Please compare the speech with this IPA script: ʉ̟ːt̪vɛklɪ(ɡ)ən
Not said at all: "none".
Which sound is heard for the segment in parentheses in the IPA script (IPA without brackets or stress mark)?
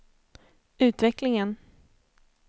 ŋ